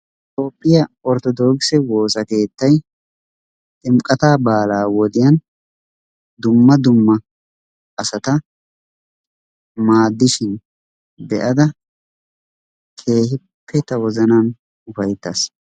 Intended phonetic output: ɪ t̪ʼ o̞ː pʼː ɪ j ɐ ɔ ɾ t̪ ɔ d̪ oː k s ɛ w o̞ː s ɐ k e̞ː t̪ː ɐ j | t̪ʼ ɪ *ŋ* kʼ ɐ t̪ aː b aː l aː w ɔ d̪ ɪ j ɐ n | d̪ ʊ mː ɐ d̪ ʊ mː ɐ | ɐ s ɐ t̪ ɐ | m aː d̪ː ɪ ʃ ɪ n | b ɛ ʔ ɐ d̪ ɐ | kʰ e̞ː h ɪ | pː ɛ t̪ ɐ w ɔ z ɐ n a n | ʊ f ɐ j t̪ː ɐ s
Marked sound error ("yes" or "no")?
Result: yes